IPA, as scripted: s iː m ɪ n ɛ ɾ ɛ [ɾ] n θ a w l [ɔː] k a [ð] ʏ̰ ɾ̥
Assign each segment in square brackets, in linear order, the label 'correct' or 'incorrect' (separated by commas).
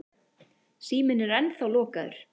incorrect, correct, correct